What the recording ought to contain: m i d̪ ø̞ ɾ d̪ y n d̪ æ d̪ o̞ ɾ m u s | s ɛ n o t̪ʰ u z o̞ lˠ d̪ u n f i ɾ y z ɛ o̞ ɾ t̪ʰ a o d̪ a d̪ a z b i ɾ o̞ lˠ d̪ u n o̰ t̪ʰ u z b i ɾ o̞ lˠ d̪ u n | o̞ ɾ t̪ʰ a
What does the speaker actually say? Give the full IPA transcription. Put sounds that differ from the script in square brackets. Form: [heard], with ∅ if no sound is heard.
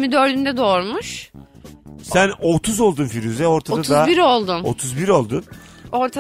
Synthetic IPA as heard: m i d̪ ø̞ ɾ d̪ y n d̪ [ɛ] d̪ o̞ ɾ m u [ʃ] | s [æ] n o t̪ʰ u z o̞ lˠ d̪ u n f i ɾ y z ɛ o̞ ɾ t̪ʰ a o d̪ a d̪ a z b i ɾ o̞ lˠ d̪ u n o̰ t̪ʰ u z b i ɾ o̞ lˠ d̪ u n | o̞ ɾ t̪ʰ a